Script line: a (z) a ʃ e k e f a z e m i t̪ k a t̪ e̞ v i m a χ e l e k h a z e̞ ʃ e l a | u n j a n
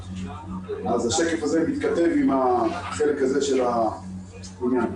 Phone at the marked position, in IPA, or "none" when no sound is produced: z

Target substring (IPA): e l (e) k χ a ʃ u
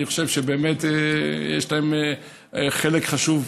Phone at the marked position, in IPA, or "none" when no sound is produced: e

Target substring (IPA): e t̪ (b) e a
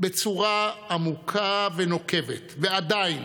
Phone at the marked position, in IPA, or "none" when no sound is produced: v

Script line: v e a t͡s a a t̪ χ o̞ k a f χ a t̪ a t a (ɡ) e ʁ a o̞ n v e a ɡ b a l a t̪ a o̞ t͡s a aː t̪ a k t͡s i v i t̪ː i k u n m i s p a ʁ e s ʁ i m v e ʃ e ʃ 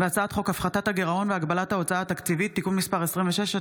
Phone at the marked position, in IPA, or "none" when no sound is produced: ɡ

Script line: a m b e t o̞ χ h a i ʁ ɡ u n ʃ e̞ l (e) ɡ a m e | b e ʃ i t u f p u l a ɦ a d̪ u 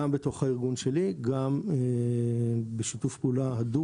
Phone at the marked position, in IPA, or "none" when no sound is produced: i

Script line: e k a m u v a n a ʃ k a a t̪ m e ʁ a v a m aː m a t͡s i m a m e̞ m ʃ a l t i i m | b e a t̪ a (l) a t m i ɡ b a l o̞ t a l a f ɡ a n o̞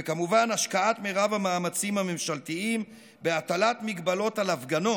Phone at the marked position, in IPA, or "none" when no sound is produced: l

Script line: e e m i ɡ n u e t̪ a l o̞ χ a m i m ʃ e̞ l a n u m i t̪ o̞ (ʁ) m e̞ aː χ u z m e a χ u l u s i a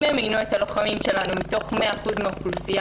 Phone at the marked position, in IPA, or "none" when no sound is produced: χ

